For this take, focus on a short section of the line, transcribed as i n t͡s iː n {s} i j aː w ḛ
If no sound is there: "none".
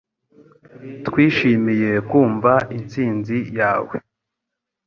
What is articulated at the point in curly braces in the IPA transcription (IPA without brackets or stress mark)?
z